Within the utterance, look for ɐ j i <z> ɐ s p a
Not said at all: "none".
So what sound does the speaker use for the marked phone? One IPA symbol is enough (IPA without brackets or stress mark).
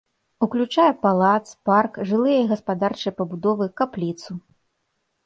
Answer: ɣ